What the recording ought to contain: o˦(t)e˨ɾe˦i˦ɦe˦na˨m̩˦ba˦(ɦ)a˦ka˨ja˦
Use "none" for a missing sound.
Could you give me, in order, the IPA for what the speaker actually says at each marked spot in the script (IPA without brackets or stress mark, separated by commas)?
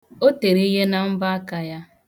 t, none